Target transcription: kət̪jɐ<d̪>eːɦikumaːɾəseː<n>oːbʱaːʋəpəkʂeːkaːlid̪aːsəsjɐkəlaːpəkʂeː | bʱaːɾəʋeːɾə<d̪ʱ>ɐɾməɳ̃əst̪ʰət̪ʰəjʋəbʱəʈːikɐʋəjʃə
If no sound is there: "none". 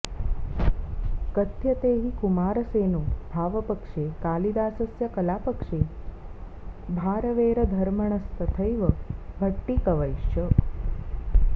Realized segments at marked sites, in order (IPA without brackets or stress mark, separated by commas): t̪, n, d̪ʱ